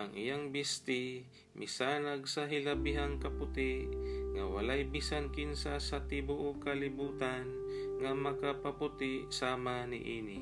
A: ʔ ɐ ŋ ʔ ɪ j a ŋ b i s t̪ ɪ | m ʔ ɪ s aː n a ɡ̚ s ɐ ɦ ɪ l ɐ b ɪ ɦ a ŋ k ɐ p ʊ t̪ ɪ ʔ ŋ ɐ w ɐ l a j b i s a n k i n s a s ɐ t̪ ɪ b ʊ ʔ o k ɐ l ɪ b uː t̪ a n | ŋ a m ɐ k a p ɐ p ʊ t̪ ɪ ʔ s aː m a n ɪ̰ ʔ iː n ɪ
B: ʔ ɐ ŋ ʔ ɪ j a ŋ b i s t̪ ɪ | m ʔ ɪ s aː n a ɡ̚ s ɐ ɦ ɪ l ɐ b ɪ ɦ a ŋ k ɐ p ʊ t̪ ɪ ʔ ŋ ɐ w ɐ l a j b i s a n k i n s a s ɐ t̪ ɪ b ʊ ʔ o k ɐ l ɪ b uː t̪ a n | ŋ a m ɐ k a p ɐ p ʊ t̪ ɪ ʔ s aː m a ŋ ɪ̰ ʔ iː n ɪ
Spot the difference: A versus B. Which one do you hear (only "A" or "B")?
A